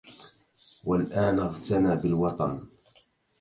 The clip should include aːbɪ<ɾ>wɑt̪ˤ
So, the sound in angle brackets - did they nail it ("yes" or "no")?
no